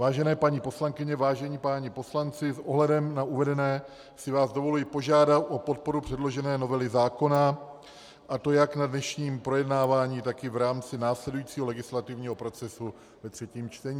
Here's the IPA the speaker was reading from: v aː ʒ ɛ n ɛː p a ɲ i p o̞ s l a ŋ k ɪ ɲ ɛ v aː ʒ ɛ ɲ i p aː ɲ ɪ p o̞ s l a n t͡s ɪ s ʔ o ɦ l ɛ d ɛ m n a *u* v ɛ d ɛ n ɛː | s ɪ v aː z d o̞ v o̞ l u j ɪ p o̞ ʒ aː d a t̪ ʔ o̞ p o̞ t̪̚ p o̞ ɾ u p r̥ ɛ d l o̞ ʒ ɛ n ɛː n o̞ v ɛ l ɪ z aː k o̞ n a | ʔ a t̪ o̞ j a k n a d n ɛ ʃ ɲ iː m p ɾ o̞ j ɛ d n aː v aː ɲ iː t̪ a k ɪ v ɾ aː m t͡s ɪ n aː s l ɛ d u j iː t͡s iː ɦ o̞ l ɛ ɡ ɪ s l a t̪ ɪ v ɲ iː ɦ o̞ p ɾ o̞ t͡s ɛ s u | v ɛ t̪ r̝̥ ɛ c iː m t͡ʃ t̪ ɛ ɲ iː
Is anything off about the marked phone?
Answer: no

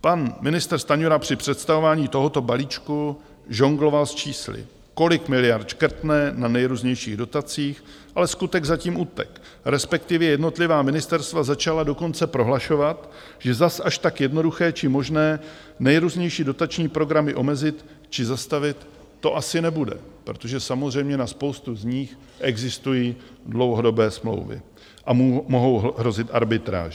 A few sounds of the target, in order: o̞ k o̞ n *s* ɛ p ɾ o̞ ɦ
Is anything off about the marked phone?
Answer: yes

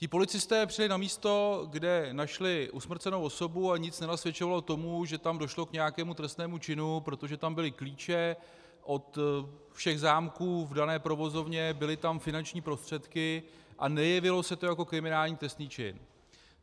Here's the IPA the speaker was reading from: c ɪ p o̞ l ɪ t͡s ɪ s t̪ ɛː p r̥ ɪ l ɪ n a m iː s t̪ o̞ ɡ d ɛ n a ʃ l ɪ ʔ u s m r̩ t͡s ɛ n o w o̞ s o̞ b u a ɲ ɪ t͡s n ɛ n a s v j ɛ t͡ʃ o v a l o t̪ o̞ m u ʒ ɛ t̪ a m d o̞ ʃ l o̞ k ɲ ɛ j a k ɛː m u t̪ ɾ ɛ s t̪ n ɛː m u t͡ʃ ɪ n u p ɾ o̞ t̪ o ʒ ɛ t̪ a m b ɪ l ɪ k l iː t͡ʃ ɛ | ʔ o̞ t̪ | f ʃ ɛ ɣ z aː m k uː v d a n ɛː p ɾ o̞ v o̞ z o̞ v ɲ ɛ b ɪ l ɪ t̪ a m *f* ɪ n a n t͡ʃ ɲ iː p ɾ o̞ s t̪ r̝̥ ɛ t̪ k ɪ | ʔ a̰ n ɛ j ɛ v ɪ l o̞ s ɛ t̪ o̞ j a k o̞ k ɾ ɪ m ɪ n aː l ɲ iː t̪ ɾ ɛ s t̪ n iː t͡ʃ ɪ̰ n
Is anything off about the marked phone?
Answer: no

